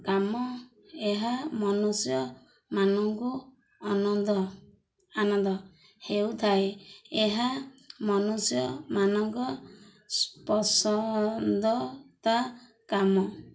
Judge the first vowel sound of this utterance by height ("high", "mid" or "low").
low